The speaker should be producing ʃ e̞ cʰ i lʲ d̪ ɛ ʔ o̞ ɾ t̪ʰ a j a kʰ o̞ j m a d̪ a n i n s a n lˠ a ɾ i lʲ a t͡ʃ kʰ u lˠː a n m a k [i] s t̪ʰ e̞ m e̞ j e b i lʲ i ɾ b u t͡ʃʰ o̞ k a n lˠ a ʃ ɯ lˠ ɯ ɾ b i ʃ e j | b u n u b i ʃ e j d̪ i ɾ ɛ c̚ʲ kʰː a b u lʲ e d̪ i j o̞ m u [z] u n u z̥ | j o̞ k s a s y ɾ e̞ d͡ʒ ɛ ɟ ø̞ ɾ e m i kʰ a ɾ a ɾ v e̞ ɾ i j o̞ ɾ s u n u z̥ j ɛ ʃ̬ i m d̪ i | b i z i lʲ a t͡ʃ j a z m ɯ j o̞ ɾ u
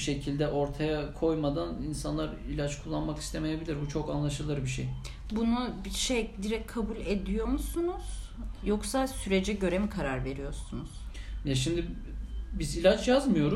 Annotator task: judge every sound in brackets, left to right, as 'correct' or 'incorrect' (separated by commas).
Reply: correct, incorrect